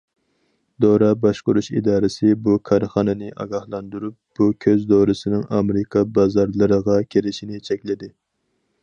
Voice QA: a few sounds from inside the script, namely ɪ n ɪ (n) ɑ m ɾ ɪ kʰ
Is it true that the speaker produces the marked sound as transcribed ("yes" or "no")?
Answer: no